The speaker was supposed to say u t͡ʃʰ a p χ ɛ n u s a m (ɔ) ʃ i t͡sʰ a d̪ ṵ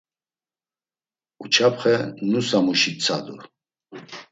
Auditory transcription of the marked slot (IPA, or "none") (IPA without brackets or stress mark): u